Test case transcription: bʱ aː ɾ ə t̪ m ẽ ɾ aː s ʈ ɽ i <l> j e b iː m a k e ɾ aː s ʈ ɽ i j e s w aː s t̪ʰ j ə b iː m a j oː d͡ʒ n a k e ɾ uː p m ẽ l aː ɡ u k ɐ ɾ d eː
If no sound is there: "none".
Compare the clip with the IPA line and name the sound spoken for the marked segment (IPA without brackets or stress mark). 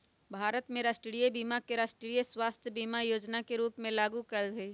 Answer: none